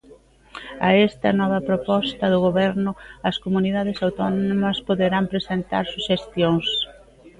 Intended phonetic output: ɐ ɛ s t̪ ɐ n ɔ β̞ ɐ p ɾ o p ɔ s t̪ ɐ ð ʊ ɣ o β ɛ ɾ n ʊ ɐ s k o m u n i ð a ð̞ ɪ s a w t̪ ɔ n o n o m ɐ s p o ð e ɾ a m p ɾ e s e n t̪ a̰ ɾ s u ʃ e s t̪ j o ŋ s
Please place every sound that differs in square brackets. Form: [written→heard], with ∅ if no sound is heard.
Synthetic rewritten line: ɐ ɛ s t̪ ɐ n ɔ β̞ ɐ p ɾ o p ɔ s t̪ ɐ ð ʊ ɣ o β ɛ ɾ n ʊ ɐ s k o m u n i ð a ð̞ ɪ s a w t̪ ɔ n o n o m ɐ s p o ð e ɾ a m p ɾ e s e n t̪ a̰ ɾ s u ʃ e s t̪ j o ŋ s